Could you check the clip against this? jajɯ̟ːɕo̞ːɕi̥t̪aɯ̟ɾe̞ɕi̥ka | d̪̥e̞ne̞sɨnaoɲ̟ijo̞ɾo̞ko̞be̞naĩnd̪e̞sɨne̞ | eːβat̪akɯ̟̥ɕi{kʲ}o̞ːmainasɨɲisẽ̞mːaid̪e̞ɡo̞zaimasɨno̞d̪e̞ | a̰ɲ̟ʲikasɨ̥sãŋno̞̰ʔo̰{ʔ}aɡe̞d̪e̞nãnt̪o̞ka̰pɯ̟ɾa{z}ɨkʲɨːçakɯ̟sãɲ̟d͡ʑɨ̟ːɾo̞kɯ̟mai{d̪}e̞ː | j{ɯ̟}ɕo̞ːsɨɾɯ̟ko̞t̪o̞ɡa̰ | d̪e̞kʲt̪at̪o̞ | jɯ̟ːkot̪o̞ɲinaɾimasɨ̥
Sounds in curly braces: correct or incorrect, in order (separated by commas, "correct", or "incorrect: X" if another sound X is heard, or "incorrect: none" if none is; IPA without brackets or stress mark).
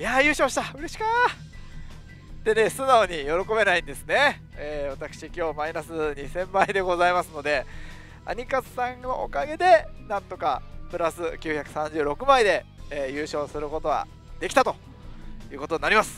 correct, incorrect: k, incorrect: s, correct, incorrect: ɯ̟ː